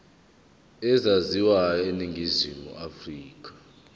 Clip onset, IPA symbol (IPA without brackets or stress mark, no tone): ɛ